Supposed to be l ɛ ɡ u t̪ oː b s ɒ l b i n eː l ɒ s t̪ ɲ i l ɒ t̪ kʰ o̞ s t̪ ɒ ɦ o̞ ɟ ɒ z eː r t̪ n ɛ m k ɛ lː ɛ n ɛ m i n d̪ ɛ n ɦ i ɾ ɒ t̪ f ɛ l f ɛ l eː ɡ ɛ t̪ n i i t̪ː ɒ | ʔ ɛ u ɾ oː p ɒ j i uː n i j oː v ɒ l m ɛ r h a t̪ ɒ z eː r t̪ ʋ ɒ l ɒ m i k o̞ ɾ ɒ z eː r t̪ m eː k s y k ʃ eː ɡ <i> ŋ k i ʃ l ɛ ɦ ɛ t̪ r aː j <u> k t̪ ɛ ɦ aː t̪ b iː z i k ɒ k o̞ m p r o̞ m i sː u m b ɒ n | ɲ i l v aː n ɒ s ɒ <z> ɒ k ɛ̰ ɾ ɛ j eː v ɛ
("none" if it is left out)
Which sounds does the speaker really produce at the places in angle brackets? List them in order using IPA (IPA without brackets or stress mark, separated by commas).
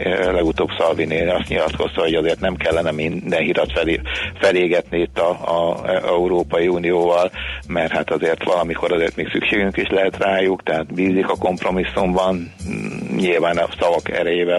y, u, v